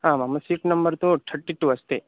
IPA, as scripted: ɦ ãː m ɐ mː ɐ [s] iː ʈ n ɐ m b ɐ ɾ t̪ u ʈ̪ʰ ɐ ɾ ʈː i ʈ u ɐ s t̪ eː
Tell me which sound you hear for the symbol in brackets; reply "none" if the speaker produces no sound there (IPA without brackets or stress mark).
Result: s